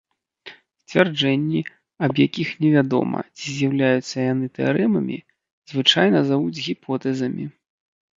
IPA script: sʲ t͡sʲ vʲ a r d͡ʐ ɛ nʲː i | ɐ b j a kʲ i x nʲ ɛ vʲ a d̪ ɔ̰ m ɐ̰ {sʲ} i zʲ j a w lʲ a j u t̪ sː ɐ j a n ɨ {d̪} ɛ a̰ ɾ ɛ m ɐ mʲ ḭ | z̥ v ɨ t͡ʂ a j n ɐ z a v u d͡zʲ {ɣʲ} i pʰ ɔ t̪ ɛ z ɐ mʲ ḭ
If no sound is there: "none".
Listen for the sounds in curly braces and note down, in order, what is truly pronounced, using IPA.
t͡sʲ, t̪, ɣʲ

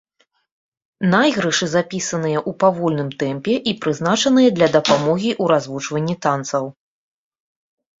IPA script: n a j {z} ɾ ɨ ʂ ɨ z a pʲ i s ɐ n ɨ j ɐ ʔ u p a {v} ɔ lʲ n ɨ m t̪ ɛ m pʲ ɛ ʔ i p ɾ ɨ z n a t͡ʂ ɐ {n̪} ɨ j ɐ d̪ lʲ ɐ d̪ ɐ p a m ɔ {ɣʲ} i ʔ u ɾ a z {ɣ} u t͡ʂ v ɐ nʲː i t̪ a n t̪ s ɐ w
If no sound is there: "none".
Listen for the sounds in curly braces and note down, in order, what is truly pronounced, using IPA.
ɣ, v, n̪, ɣʲ, v

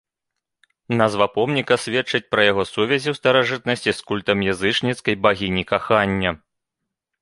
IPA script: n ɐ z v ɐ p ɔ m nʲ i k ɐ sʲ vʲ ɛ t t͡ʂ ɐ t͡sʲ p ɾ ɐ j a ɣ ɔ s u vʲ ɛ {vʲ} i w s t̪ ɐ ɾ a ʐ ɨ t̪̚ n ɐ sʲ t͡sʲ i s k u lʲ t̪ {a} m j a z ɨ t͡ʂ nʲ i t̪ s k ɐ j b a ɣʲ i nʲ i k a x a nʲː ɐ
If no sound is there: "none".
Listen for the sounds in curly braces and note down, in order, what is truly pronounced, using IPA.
zʲ, ɐ

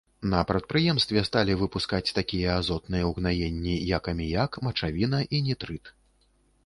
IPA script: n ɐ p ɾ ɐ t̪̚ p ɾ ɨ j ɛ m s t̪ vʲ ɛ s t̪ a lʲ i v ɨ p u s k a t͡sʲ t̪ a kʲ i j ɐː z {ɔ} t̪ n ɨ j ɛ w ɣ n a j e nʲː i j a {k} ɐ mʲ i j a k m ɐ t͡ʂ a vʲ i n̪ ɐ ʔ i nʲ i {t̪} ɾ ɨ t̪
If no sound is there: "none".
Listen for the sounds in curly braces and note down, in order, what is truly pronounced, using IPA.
ɔ, k, t̪

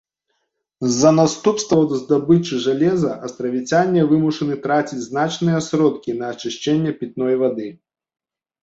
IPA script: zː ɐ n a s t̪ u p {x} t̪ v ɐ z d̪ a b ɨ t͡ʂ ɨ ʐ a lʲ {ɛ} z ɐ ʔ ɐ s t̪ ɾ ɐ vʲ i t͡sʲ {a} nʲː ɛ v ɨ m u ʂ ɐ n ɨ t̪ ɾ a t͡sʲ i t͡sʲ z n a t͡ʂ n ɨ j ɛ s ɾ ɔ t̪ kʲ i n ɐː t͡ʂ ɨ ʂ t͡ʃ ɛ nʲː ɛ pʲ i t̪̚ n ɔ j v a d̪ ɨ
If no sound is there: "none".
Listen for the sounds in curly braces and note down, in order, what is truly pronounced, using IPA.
s, ɛ, a

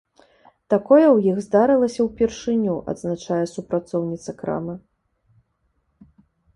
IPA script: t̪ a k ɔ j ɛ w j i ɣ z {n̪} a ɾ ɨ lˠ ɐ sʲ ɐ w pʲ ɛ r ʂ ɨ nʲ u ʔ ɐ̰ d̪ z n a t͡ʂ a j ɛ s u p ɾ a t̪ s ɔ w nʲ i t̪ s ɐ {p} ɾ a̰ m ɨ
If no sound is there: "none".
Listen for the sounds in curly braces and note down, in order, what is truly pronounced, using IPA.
d̪, k

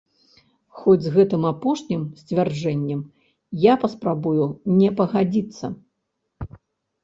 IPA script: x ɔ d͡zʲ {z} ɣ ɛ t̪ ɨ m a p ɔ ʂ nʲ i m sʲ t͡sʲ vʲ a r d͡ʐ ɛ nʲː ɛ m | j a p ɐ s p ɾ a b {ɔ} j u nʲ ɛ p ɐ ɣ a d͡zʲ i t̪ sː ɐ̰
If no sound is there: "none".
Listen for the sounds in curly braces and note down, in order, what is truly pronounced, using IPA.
z, u

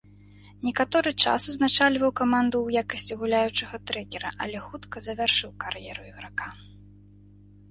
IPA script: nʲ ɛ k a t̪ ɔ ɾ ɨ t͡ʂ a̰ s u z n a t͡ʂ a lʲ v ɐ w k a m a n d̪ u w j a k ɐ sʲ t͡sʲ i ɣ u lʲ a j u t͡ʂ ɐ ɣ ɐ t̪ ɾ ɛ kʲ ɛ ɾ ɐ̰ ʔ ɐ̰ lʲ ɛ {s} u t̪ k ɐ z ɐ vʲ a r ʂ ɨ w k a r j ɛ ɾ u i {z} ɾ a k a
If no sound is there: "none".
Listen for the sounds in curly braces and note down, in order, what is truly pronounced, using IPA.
x, ɣ

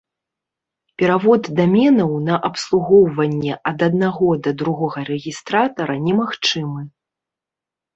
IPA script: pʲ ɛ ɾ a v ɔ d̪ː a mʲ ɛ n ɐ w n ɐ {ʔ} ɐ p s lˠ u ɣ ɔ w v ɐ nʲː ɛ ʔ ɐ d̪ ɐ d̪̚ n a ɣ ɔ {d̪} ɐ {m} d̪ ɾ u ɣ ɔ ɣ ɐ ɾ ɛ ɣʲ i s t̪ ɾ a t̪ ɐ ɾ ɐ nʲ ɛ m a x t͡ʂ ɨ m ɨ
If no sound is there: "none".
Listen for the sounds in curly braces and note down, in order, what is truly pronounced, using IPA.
ʔ, d̪, none

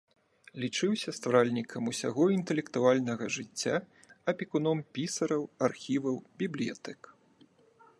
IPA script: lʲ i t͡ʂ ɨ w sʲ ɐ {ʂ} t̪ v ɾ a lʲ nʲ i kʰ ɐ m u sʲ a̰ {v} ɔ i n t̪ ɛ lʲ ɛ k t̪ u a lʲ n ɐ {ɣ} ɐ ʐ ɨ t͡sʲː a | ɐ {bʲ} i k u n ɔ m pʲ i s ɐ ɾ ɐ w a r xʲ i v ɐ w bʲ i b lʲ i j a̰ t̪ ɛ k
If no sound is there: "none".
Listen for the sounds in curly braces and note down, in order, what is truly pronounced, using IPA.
s, ɣ, ɣ, pʲ

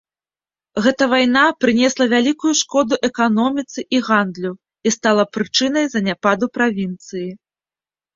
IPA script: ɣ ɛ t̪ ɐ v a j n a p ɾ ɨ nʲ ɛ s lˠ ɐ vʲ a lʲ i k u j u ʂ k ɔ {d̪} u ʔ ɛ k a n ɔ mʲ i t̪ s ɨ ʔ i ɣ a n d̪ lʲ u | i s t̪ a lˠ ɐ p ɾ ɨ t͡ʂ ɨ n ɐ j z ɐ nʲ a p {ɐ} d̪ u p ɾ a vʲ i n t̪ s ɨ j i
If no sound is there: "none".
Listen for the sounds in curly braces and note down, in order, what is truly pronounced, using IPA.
d̪, a

